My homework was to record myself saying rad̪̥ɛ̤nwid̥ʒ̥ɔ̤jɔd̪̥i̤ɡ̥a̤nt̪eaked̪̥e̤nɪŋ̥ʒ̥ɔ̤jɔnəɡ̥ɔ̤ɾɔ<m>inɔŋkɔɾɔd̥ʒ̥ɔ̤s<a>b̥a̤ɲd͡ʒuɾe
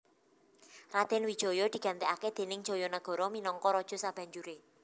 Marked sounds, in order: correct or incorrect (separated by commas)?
correct, correct